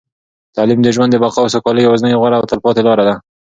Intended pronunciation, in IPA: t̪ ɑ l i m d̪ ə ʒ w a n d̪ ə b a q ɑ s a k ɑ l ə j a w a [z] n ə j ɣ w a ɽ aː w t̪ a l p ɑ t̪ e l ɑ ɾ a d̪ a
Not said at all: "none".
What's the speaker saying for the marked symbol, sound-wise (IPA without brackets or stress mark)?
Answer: z